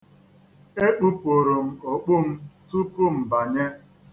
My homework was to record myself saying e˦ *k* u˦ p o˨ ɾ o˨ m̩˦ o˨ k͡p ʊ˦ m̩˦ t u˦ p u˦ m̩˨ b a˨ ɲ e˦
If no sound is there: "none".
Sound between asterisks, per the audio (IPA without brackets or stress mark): k͡p